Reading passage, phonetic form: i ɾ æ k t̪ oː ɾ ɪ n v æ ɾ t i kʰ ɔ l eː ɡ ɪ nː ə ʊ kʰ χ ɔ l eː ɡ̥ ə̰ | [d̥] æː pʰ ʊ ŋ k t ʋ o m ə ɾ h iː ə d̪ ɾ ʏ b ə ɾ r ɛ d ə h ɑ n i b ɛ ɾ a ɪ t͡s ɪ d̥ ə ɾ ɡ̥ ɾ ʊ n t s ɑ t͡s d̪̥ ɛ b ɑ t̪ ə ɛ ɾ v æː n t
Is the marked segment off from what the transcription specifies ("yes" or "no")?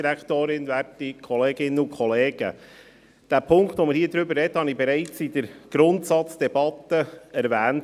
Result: no